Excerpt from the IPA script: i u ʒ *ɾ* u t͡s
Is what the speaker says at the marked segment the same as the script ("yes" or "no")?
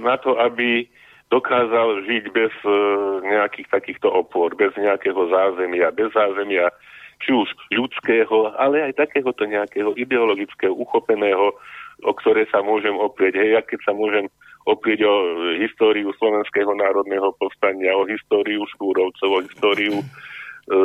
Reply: no